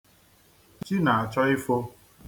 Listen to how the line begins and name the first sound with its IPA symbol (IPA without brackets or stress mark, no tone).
t͡ʃ